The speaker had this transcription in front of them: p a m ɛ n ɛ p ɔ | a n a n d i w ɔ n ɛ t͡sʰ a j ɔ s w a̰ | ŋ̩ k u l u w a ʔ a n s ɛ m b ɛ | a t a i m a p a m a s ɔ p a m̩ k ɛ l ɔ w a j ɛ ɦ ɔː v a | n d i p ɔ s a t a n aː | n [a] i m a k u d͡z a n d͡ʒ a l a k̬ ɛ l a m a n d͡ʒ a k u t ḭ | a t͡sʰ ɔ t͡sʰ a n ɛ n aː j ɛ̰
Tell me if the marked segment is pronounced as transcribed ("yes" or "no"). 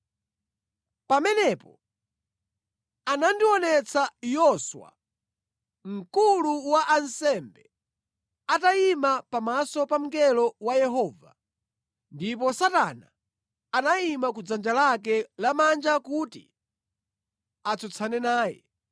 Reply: yes